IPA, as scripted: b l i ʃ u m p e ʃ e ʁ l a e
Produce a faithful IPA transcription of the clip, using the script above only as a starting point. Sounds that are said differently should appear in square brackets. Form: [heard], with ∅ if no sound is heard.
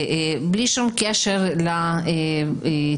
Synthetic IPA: b l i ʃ u m [k] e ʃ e ʁ l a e